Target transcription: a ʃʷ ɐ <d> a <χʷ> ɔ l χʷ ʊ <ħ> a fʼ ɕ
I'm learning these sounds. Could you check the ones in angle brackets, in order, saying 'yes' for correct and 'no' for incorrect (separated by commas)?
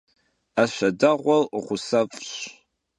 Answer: yes, no, no